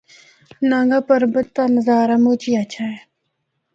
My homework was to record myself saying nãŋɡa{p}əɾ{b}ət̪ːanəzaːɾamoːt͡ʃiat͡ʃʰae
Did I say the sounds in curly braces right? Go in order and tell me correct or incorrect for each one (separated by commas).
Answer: correct, correct